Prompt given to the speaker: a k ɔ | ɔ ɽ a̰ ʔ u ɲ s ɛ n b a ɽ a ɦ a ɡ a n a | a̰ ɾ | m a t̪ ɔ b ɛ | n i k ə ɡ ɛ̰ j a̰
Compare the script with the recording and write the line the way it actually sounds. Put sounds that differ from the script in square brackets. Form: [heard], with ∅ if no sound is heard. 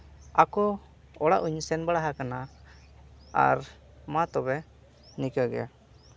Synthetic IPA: a k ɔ | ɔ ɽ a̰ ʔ u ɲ s ɛ n b a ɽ a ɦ a [k] a n a | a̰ ɾ | m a t̪ ɔ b ɛ | n i k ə ɡ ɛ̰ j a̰